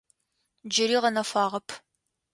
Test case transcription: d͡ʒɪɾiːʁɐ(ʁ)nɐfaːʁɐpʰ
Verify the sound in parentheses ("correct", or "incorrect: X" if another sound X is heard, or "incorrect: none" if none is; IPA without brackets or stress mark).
incorrect: none